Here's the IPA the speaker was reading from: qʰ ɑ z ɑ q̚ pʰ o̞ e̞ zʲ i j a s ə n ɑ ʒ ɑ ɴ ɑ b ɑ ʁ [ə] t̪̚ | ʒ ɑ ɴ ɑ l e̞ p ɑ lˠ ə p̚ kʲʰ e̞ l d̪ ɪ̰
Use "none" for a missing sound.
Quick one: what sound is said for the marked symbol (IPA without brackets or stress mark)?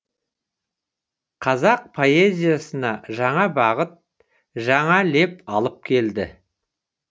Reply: ə